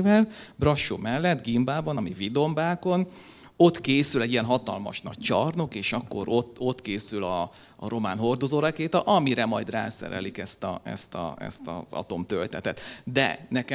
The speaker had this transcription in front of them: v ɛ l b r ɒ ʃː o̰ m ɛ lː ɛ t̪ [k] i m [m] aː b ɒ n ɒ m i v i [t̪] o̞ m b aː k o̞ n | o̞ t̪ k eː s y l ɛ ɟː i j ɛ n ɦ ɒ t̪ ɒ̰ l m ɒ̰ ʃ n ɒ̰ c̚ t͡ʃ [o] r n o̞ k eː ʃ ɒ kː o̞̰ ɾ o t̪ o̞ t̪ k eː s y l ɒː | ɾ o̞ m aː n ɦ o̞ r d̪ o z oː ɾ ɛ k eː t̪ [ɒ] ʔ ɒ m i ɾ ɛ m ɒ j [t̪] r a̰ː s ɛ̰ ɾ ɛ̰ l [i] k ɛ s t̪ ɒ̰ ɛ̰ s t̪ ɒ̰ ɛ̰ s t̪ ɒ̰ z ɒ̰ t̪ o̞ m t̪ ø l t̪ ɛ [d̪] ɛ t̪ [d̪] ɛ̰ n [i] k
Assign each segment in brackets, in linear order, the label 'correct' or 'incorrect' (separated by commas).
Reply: incorrect, incorrect, incorrect, incorrect, correct, incorrect, correct, incorrect, correct, incorrect